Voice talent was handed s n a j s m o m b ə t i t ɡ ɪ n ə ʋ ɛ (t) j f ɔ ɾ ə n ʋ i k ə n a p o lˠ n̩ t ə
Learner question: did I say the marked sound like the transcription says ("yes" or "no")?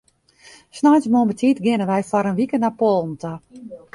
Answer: no